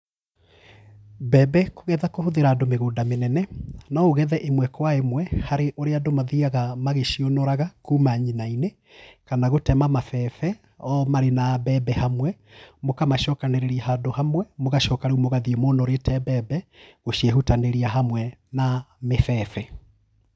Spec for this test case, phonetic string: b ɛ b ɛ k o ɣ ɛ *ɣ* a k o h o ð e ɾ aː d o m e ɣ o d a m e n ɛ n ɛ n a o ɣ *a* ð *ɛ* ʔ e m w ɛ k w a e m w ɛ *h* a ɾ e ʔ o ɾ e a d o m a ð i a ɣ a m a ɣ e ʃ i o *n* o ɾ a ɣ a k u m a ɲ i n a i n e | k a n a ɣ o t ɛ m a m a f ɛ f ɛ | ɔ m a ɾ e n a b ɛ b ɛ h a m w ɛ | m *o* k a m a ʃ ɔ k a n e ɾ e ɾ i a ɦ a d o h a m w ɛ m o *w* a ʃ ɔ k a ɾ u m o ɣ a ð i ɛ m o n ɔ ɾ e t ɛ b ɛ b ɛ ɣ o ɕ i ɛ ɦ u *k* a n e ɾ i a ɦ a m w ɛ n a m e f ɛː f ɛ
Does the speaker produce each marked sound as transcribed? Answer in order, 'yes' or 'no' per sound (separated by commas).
no, no, yes, yes, yes, yes, no, no